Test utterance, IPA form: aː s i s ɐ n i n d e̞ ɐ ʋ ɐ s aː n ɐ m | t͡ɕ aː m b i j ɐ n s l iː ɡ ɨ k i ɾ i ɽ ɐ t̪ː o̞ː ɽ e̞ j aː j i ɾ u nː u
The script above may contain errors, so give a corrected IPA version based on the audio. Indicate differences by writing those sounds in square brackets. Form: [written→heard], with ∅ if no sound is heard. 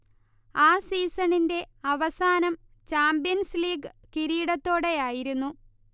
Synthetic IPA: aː s [i→iː] s ɐ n i n d e̞ ɐ ʋ ɐ s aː n ɐ m | t͡ɕ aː m b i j ɐ n s l iː ɡ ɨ k i ɾ [i→iː] ɽ ɐ t̪ː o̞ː ɽ e̞ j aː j i ɾ u nː u